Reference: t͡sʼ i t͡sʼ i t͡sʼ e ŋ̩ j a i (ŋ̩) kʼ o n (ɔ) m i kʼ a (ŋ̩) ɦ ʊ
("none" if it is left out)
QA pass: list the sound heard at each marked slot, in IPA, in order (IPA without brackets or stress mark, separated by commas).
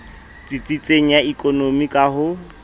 none, o, none